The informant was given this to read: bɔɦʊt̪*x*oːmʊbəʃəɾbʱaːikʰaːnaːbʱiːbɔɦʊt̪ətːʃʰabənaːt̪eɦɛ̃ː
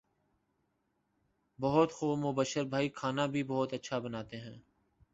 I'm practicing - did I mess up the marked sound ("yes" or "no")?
no